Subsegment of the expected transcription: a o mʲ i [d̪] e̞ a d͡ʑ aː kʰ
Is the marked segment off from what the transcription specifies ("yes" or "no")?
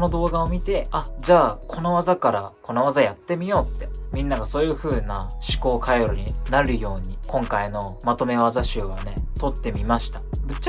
yes